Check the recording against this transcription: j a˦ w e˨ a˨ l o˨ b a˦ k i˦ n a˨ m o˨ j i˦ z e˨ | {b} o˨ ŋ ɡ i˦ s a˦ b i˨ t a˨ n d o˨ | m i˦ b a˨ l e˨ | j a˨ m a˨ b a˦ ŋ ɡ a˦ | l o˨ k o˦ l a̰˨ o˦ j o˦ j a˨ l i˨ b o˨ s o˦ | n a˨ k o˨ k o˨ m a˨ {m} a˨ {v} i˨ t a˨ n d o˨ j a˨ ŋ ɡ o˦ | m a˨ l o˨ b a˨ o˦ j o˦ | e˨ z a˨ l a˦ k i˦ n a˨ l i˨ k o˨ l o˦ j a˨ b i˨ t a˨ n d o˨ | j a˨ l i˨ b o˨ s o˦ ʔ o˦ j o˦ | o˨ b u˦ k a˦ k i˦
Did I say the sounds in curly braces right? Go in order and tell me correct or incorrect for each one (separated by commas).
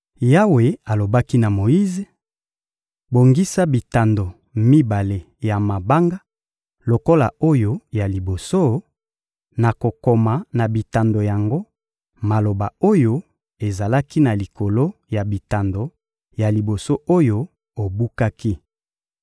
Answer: correct, incorrect, incorrect